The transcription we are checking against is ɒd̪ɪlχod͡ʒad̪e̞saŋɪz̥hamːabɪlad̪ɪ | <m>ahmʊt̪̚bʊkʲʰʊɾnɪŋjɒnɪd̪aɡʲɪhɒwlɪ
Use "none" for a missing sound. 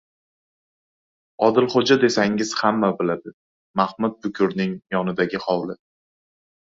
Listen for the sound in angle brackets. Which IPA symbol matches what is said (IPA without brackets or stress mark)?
m